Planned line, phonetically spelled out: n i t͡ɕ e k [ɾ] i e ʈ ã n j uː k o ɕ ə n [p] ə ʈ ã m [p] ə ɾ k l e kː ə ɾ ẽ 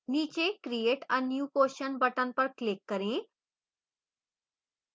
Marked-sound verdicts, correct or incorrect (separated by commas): correct, incorrect, correct